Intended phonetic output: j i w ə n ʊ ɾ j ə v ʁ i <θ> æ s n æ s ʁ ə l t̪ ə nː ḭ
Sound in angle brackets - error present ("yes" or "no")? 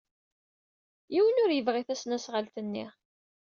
no